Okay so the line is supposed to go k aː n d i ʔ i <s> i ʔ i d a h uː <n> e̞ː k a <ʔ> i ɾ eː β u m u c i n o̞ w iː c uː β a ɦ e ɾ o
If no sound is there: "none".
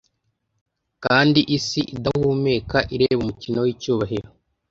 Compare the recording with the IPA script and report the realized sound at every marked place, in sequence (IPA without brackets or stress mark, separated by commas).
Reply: s, m, ʔ